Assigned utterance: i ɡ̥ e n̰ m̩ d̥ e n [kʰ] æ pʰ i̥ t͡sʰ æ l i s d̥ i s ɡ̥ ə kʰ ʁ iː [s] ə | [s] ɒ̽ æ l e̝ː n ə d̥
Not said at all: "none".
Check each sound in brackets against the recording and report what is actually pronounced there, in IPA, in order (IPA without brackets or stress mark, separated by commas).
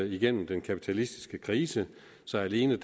kʰ, s, s